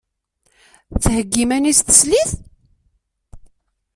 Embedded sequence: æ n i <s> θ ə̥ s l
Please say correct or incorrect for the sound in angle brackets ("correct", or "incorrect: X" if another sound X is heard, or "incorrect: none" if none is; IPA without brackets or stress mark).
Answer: correct